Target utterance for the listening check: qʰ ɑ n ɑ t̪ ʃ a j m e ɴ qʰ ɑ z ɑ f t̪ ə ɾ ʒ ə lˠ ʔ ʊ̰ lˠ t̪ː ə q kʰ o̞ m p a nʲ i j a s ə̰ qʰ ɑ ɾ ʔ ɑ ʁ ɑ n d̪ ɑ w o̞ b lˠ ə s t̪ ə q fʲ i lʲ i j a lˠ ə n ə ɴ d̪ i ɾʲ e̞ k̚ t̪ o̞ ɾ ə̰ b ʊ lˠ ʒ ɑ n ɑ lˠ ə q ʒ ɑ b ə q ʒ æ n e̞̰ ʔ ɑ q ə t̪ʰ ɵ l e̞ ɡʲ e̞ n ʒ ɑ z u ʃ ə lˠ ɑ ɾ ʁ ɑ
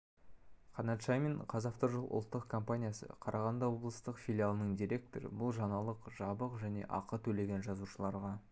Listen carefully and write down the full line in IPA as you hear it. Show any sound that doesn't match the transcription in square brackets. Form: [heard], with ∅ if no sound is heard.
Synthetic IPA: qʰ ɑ n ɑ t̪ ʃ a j m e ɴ qʰ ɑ z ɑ f t̪ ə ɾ ʒ ə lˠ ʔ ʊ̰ lˠ t̪ː ə q kʰ o̞ m p a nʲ i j a s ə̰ qʰ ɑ ɾ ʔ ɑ ʁ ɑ n d̪ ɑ w o̞ b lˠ ə s t̪ ə q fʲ i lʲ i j a lˠ ə n ə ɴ d̪ i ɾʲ e̞ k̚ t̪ o̞ ɾ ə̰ b ʊ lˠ ʒ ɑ n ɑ lˠ ə q ʒ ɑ b ə q ʒ æ n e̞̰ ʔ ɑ q ə t̪ʰ ɵ l e̞ ɡʲ e̞ n ʒ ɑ z u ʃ ə lˠ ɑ ɾ ʁ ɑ